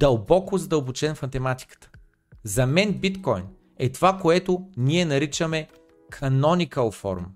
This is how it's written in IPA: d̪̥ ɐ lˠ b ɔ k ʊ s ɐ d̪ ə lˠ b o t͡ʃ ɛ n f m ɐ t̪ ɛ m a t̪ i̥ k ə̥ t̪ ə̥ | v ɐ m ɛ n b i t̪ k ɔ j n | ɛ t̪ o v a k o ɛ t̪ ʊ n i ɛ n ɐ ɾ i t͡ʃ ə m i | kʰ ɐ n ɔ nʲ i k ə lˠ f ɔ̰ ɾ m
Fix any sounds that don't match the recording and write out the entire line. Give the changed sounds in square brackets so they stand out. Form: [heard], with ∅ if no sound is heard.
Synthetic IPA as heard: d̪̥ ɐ lˠ b ɔ k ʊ [z] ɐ d̪ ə lˠ b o t͡ʃ ɛ n f m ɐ t̪ ɛ m a t̪ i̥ k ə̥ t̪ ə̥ | [z] ɐ m ɛ n b i t̪ k ɔ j n | ɛ t̪ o v a k o ɛ t̪ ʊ n i ɛ n ɐ ɾ i t͡ʃ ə m [ɛ] | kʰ ɐ n ɔ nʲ i k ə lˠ f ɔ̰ ɾ m